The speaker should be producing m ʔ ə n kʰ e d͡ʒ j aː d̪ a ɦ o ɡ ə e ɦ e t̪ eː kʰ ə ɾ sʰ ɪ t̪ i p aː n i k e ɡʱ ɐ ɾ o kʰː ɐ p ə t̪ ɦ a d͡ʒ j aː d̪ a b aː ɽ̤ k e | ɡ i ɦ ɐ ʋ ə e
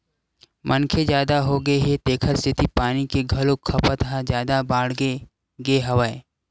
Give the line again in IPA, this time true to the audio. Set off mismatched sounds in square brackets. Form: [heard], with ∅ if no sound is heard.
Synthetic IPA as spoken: m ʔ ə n kʰ e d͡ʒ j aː d̪ a ɦ o ɡ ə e ɦ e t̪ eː kʰ ə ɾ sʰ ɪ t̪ i p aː n i k e ɡʱ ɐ [l] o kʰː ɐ p ə t̪ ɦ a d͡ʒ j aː d̪ a b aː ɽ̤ [ɡ] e | ɡ [e] ɦ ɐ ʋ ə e